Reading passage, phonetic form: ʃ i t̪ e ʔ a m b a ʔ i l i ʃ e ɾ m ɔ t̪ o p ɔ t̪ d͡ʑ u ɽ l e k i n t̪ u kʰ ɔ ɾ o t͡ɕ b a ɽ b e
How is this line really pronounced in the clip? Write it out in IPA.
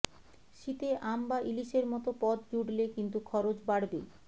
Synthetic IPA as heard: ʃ i t̪ e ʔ a m b a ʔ i l i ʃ e ɾ m ɔ t̪ o p ɔ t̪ d͡ʑ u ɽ l e k i n t̪ u kʰ ɔ ɾ o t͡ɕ b a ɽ b e